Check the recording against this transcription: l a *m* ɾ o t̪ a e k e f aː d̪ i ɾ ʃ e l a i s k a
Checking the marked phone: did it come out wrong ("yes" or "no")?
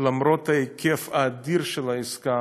no